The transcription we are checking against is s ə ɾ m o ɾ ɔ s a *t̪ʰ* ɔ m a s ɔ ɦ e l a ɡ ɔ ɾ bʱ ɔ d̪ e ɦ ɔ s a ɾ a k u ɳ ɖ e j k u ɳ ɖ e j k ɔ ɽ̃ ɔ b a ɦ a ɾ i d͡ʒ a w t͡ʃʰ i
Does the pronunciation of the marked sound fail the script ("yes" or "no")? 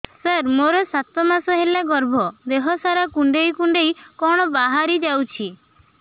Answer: yes